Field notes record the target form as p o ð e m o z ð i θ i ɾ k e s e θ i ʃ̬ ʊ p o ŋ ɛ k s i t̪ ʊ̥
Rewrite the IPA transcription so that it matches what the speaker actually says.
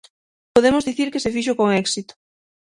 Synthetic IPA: p o ð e m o z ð i θ i ɾ k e s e f i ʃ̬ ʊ k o ŋ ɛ k s i t̪ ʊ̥